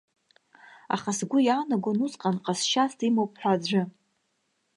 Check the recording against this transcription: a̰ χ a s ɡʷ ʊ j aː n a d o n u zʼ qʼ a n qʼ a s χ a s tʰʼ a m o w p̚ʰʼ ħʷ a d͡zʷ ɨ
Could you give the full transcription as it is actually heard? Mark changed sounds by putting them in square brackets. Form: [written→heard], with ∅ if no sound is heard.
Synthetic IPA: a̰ χ a s ɡʷ ʊ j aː n a [d→ɡ] o n u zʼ qʼ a n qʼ a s [χ→ʃ] a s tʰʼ [a→i] m o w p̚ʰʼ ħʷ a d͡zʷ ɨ